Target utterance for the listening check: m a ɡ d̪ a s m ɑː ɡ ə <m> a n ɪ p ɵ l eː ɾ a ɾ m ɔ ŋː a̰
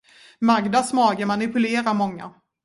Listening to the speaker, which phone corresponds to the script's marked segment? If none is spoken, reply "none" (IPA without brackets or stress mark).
m